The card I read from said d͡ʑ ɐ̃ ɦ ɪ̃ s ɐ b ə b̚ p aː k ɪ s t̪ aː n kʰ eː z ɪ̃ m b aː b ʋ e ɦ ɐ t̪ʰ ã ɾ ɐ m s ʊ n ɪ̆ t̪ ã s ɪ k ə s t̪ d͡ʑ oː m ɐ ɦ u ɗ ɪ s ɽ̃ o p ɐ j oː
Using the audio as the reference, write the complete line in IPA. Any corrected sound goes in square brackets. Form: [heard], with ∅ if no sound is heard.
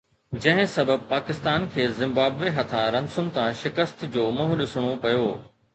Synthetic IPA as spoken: d͡ʑ ɐ̃ ɦ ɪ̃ s ɐ b ə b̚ p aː k ɪ s t̪ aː n kʰ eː z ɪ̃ m b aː b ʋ e ɦ ɐ t̪ʰ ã ɾ ɐ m s ʊ n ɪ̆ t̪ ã [ʃ] ɪ k ə s t̪ d͡ʑ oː m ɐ ɦ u ɗ ɪ s ɽ̃ o p ɐ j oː